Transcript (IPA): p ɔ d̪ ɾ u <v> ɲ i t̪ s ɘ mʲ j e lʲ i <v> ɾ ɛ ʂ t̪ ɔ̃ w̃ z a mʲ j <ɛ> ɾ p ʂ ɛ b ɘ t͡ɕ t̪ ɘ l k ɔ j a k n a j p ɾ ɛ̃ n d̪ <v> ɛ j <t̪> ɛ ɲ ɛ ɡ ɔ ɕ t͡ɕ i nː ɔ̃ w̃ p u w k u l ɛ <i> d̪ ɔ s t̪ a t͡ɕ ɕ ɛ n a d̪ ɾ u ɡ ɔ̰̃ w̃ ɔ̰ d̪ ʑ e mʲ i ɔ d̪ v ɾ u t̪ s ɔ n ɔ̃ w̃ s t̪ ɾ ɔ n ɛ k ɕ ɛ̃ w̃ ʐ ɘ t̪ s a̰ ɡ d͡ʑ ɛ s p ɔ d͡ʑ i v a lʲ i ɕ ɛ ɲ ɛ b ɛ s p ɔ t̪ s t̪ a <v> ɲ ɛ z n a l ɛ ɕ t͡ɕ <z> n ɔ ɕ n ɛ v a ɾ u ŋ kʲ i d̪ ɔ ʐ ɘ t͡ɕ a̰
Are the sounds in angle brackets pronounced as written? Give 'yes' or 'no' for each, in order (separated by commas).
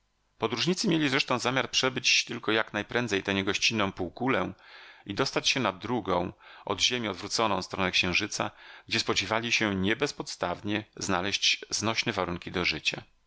no, no, no, no, yes, yes, yes, yes